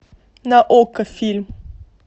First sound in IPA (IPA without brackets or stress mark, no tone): n